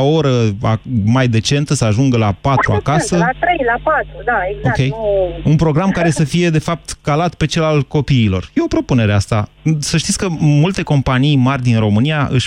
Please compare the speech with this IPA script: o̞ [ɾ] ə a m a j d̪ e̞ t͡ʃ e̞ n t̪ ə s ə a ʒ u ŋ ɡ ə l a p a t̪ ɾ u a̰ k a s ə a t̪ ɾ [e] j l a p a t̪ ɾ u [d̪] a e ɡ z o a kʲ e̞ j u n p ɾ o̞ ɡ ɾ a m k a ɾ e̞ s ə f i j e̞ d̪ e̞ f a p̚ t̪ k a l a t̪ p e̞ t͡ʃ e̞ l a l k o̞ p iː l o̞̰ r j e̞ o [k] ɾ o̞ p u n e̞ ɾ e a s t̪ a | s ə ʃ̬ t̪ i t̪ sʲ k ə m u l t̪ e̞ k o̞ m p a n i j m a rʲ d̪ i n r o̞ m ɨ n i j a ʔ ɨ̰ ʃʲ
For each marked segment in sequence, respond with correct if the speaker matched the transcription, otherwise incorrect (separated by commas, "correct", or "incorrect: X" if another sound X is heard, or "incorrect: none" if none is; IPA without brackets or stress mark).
correct, correct, correct, incorrect: p